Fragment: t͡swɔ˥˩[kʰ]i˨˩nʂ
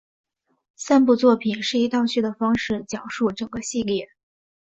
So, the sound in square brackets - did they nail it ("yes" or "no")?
no